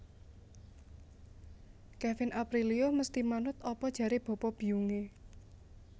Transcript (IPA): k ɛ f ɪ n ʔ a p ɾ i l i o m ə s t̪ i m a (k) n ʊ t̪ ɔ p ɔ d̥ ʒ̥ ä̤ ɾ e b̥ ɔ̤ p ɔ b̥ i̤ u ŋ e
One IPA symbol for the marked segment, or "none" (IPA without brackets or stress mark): none